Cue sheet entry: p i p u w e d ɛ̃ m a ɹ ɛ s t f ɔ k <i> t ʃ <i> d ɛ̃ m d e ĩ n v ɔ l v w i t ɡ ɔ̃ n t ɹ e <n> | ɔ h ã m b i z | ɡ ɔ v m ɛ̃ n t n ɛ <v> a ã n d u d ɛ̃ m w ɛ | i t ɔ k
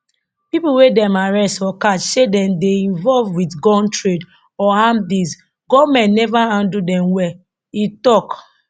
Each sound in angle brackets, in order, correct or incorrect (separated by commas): incorrect, incorrect, incorrect, correct